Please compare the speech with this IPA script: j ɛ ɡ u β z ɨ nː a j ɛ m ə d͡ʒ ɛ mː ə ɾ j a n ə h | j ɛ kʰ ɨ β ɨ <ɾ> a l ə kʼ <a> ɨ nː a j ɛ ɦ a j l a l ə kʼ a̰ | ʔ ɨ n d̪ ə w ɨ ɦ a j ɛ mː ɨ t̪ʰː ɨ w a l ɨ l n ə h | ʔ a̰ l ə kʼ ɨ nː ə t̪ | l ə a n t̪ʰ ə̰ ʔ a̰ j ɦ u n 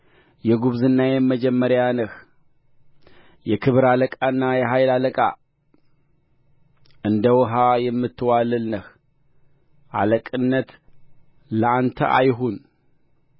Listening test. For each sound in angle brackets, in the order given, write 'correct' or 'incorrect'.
correct, correct

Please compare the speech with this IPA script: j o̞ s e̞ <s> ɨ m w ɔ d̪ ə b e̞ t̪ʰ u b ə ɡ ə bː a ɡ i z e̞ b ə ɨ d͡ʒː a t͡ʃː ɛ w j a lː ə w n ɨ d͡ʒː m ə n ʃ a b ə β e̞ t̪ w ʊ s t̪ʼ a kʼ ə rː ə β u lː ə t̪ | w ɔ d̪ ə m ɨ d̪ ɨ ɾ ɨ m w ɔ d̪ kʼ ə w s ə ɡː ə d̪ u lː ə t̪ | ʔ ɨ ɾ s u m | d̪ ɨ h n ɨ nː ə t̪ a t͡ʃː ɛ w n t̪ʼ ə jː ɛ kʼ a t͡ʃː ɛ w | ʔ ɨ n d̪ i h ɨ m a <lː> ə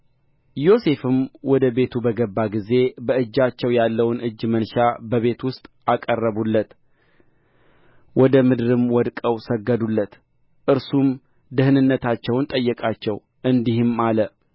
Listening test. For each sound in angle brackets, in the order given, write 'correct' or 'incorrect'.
incorrect: f, incorrect: l

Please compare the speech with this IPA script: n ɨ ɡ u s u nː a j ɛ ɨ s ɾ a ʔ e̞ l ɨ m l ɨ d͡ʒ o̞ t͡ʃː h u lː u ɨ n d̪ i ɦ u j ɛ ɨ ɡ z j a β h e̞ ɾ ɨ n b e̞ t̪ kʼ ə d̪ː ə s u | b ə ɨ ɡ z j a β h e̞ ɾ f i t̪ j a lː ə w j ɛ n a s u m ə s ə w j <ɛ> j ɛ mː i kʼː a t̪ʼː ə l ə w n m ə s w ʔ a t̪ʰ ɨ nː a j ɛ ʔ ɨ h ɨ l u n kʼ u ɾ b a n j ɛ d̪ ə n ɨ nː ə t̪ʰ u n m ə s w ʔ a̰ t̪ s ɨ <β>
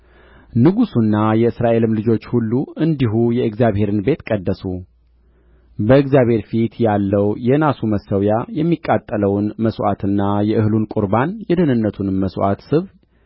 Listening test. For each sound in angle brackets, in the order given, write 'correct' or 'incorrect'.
incorrect: a, correct

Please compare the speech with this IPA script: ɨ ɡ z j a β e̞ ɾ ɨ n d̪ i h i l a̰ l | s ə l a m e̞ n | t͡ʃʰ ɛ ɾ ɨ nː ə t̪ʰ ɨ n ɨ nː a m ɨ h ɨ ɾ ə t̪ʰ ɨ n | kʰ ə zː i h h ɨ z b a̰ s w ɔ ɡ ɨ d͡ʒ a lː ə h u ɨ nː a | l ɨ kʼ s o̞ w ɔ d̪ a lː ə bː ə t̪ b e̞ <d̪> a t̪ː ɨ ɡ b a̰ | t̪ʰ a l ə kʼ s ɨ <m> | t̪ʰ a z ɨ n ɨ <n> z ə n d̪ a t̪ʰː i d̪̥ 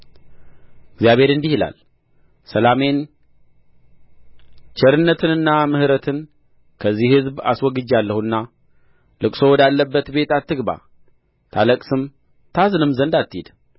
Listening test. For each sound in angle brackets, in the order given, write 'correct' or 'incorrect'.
incorrect: t̪, correct, incorrect: m

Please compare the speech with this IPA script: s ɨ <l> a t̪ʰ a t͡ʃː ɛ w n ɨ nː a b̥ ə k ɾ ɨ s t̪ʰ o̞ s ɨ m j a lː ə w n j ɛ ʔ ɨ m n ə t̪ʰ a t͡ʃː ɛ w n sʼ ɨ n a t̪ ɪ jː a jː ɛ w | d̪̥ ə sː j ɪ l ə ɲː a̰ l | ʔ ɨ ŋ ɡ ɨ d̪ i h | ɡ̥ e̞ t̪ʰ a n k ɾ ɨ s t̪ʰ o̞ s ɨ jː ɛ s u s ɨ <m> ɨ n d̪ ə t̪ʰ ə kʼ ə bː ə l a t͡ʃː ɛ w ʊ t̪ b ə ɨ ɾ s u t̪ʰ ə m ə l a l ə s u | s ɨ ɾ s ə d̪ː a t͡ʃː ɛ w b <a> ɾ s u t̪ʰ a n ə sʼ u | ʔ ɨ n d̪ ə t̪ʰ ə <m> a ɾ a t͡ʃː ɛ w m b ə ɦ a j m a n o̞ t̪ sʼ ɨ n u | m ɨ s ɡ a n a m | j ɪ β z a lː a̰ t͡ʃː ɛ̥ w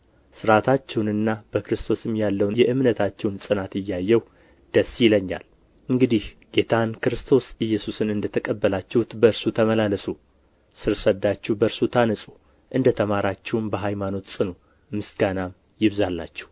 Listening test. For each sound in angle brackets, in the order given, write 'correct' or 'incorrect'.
incorrect: ɾ, incorrect: n, incorrect: ə, correct

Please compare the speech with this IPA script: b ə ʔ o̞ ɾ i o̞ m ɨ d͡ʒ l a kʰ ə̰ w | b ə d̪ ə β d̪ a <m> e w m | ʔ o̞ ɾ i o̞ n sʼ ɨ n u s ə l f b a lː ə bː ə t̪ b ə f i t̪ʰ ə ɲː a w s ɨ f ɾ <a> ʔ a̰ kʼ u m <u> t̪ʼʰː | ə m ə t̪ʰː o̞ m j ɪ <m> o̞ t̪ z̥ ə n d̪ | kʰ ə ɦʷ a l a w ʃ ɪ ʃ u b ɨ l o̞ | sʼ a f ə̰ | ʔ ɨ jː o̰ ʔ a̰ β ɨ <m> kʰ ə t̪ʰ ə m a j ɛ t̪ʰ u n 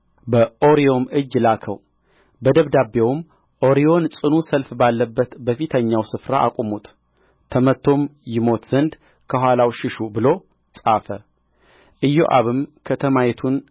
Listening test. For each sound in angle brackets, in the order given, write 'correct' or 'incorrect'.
incorrect: b, correct, correct, correct, correct

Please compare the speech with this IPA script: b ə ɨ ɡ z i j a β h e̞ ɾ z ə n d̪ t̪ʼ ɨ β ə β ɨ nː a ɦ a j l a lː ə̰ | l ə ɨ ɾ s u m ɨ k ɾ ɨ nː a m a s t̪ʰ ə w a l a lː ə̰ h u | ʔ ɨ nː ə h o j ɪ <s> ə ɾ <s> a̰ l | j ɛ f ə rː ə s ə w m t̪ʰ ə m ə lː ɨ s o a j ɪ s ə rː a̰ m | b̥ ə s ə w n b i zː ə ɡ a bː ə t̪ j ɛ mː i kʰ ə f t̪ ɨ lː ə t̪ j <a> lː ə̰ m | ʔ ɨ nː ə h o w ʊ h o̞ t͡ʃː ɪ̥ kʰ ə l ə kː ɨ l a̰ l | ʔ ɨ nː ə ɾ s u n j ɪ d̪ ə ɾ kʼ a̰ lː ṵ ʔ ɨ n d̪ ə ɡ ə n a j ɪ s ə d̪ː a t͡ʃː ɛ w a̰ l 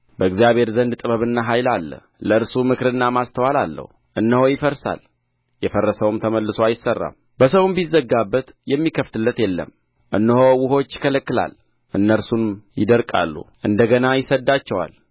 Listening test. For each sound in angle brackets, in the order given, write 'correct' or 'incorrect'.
incorrect: f, correct, incorrect: ɛ

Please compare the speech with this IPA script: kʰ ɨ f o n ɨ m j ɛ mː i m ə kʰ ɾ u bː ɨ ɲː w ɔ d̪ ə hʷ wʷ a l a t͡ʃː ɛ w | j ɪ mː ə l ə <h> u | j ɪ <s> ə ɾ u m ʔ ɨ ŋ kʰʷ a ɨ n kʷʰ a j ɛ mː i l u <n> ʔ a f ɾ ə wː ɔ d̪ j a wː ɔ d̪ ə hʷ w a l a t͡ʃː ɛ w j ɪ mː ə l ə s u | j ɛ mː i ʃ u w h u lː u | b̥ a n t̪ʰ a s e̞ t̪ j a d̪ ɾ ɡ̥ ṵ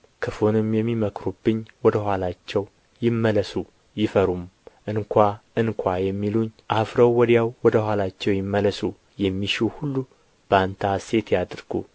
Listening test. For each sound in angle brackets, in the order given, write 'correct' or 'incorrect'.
incorrect: s, incorrect: f, incorrect: ɲ

